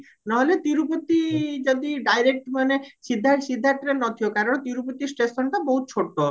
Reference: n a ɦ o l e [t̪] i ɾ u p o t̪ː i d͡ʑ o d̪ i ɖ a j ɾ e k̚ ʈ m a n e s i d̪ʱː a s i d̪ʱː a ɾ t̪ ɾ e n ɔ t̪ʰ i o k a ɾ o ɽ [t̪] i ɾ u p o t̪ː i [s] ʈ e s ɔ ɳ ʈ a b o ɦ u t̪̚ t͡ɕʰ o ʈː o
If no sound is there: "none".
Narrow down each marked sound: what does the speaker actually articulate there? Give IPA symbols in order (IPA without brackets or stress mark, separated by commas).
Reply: t̪, t̪, s